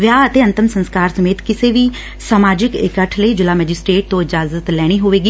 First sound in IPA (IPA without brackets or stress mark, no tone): ʋ